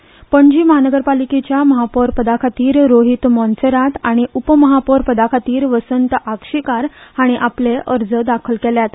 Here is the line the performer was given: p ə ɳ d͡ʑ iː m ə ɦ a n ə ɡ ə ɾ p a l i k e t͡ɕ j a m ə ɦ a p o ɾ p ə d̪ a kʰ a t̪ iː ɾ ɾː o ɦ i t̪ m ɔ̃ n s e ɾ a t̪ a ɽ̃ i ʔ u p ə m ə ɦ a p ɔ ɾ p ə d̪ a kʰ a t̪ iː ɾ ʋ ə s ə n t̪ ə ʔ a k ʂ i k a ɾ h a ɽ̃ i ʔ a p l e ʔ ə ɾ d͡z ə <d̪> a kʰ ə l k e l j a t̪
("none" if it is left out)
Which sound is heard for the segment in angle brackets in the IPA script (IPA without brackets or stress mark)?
d̪